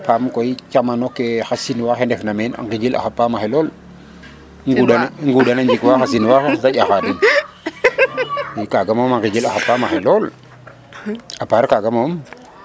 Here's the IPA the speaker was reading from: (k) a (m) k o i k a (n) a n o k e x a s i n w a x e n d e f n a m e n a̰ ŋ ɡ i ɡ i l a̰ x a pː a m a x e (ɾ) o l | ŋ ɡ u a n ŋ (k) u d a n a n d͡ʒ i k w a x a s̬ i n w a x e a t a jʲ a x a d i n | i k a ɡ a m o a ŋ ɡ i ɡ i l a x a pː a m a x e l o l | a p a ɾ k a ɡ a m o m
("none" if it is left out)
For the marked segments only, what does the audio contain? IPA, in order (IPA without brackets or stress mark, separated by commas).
p, m, m, l, ɡ